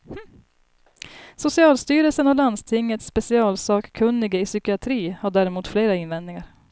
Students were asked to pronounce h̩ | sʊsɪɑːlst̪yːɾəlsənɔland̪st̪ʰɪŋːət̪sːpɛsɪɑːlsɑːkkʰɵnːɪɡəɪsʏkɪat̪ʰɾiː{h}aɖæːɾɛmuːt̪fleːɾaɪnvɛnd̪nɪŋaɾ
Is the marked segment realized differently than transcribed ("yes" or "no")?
no